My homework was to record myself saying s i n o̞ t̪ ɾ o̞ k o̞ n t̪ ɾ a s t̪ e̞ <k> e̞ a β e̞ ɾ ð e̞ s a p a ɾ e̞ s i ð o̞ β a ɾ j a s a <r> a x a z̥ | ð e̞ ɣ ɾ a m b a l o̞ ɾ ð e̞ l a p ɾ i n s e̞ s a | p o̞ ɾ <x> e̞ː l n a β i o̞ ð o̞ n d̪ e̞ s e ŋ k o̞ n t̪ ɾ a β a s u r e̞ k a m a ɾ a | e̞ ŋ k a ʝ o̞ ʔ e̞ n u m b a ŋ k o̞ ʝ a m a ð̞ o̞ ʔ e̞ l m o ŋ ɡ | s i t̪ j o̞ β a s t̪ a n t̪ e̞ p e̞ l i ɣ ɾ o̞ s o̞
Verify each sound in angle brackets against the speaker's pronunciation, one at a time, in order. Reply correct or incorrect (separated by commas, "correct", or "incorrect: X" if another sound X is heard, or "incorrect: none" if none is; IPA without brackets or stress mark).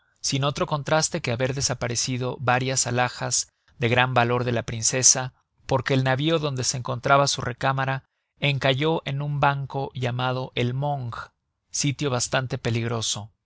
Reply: correct, incorrect: l, incorrect: k